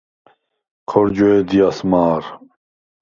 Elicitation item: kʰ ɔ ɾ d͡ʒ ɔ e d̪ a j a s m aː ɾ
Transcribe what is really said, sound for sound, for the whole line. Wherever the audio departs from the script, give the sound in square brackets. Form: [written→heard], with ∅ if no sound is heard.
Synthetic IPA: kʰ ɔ ɾ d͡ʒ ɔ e d̪ [a→i] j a s m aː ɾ

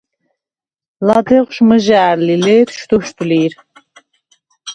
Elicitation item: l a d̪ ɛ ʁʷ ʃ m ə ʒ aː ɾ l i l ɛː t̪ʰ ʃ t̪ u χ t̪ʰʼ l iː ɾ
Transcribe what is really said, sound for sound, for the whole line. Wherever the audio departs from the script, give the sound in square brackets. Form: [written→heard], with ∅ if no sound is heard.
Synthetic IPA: l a d̪ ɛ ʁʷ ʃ m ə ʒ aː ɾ l i l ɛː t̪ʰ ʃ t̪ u [χ→ʃ] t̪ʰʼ l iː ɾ

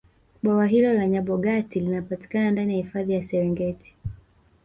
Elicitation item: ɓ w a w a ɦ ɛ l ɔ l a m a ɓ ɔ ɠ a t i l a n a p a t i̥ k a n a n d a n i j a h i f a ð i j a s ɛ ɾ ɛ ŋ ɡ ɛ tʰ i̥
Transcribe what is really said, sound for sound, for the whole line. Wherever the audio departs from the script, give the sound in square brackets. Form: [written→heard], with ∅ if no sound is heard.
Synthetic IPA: ɓ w a w a ɦ [ɛ→i] l ɔ l a [m→ɲ] a ɓ ɔ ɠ a t i l [a→i] n a p a t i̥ k a n a n d a n i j a h i f a ð i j a s ɛ ɾ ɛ ŋ ɡ ɛ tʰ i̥

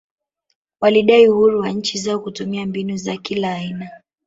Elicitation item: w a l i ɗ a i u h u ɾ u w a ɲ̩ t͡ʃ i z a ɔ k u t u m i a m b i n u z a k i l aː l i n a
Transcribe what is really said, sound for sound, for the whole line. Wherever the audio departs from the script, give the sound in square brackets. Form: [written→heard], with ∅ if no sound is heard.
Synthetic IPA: w a l i ɗ a i u h u ɾ u w a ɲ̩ t͡ʃ i z a ɔ k u t u m i a m b i n u z a k i l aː [l→∅] i n a

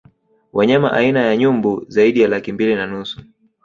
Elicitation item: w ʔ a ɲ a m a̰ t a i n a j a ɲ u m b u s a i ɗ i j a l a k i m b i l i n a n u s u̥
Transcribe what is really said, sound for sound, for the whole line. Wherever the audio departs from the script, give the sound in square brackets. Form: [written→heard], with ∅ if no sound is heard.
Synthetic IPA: w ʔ a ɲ a m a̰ [t→ʔ] a i n a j a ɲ u m b u [s→z] a i ɗ i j a l a k i m b i l i n a n u s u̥

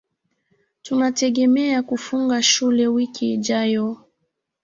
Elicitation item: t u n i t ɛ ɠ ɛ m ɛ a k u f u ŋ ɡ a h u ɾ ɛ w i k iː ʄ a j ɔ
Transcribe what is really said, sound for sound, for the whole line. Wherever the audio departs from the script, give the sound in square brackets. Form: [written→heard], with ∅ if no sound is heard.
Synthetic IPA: t u n [i→a] t ɛ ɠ ɛ m ɛ a k u f u ŋ ɡ a [h→ʃ] u [ɾ→l] ɛ w i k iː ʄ a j ɔ

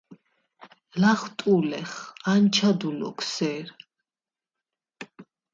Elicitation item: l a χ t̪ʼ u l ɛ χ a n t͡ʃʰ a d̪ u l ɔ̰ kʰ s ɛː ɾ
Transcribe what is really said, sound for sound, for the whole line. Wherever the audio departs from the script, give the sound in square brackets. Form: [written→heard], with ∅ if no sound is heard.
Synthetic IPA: l a χ t̪ʼ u l ɛ χ a n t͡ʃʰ a d̪ u l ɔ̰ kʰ s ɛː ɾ

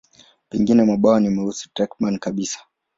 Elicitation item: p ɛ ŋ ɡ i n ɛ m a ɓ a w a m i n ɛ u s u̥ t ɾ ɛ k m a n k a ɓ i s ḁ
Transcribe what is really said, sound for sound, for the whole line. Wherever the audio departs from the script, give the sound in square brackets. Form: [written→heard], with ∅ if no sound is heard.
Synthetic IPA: p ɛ ŋ ɡ i n ɛ m a ɓ a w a [m→n] i [n→m] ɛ u s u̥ t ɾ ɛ k m a n k a ɓ i s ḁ

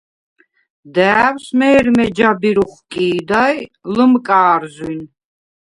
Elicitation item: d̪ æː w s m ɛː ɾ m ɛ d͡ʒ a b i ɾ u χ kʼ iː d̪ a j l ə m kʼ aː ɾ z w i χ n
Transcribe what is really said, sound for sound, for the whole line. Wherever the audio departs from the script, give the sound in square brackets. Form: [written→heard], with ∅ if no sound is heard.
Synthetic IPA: d̪ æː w s m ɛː ɾ m ɛ d͡ʒ a b i ɾ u χ kʼ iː d̪ a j l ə m kʼ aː ɾ z w i [χ→∅] n

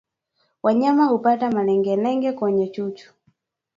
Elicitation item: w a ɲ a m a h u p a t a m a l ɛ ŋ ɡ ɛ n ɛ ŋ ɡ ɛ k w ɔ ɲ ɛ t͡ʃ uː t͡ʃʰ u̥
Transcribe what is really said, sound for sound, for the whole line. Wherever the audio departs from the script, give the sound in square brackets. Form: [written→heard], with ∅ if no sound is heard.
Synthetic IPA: w a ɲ a m a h u p a t a m a l ɛ ŋ ɡ ɛ n ɛ ŋ ɡ ɛ k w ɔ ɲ ɛ t͡ʃ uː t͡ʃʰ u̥

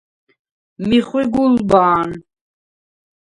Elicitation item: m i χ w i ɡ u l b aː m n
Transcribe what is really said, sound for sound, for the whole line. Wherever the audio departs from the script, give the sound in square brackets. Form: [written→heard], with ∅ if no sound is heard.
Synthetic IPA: m i χ w i ɡ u l b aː [m→∅] n

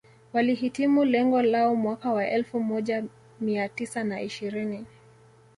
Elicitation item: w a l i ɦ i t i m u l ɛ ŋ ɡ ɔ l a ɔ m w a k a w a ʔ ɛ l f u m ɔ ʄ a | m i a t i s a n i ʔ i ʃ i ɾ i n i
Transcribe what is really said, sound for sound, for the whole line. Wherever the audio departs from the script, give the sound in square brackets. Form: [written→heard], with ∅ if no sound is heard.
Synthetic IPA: w a l i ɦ i t i m u l ɛ ŋ ɡ ɔ l a ɔ m w a k a w a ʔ ɛ l f u m ɔ ʄ a | m i a t i s a n [i→a] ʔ i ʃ i ɾ i n i

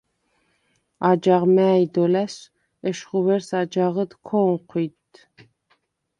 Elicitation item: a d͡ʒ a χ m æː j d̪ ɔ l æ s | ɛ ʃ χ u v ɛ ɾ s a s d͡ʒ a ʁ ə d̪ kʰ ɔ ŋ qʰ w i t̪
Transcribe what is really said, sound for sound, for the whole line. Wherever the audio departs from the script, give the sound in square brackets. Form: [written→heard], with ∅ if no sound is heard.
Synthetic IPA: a d͡ʒ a [χ→ʁ] m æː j d̪ ɔ l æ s | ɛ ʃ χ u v ɛ ɾ s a [s→∅] d͡ʒ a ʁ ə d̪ kʰ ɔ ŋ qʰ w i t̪

